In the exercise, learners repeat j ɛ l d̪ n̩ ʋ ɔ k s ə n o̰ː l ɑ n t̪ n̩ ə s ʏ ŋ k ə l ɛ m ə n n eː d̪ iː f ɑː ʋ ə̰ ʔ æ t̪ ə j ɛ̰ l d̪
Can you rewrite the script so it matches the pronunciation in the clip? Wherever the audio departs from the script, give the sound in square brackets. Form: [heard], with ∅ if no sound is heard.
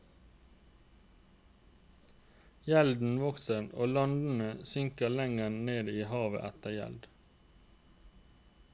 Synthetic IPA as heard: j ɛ l d̪ n̩ ʋ ɔ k s ə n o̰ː l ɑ n [d̪] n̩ ə s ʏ ŋ k ə l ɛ [ŋ] ə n n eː d̪ iː [h] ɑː ʋ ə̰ ʔ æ t̪ ə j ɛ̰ l d̪